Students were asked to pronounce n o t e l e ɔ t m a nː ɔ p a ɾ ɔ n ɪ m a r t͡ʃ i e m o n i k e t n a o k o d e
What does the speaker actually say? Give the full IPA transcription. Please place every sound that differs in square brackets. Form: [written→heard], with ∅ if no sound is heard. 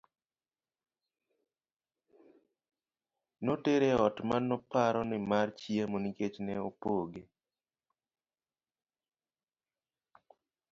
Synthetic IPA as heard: n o t e [l→ɾ] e ɔ t m a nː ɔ p a ɾ ɔ n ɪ m a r t͡ʃ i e m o n i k e [t→t͡ʃ] n [a→ɛ] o [k→p] o [d→ɡ] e